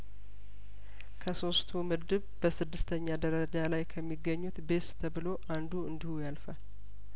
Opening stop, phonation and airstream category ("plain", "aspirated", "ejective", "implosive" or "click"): aspirated